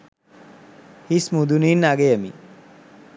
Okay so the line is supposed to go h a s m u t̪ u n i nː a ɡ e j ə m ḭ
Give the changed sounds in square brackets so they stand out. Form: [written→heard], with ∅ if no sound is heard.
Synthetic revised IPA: h [a→i] s m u [t̪→d̪] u n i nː a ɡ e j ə m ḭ